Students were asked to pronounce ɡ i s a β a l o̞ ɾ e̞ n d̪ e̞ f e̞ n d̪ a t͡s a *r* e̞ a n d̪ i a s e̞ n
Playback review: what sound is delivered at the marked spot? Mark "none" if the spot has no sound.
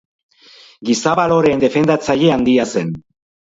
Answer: ʎ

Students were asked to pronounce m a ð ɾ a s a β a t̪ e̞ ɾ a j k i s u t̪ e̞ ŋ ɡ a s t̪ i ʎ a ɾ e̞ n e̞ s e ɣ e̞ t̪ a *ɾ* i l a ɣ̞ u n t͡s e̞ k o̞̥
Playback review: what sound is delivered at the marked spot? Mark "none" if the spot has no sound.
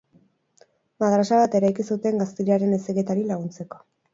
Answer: ɾ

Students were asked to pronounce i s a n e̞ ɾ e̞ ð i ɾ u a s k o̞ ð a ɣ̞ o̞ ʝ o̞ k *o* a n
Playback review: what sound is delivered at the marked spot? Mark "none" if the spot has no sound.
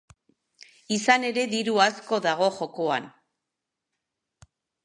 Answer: o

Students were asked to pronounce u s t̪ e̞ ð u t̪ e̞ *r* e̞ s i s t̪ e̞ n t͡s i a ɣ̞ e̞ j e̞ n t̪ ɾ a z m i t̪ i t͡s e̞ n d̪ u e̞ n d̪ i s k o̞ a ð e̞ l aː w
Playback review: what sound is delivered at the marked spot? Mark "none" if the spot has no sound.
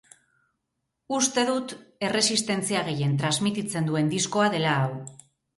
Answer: r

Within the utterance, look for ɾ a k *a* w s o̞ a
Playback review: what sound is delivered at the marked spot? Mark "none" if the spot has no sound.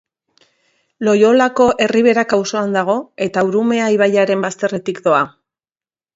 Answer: a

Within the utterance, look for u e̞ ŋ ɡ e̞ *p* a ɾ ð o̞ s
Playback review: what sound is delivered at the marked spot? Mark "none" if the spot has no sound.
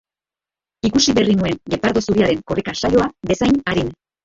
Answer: p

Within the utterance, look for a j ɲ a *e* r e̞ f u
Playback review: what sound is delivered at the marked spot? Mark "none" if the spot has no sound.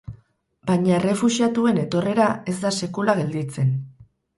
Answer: e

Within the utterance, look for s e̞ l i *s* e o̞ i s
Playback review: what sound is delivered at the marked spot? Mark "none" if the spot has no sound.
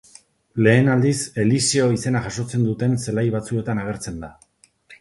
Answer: s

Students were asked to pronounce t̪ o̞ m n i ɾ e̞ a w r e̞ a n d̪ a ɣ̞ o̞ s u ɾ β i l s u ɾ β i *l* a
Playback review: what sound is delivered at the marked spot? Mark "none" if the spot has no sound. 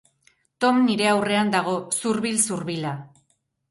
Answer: l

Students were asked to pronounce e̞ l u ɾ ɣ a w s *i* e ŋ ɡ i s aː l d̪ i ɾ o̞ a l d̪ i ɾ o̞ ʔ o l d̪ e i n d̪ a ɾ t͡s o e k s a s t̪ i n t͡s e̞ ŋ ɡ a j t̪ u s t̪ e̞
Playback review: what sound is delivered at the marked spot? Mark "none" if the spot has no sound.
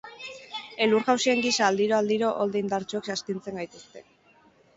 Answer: i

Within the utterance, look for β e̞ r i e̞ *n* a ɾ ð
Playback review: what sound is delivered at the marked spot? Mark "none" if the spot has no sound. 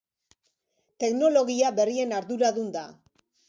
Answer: n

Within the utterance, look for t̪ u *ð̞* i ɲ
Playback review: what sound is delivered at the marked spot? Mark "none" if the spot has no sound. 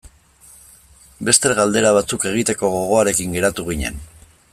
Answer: ɣ̞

